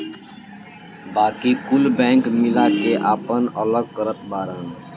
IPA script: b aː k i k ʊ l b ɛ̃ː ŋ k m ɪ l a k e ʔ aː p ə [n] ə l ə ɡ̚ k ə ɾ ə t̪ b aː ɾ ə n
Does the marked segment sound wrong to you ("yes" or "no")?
no